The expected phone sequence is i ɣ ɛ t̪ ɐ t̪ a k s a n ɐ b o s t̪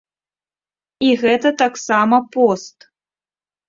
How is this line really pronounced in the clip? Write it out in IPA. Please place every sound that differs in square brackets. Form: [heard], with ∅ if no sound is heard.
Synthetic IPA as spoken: i ɣ ɛ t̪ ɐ t̪ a k s a [m] ɐ [p] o s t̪